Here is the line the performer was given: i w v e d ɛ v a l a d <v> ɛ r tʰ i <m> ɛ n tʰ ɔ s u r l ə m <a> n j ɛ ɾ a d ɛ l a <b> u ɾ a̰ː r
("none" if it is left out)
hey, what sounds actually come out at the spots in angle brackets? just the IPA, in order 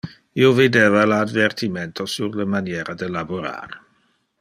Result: v, m, a, b

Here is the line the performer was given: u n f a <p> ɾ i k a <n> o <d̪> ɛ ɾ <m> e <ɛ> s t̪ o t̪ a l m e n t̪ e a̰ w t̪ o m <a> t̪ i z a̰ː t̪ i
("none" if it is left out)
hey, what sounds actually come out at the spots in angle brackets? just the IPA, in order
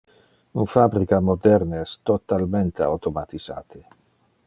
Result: b, m, d̪, n, ɛ, a

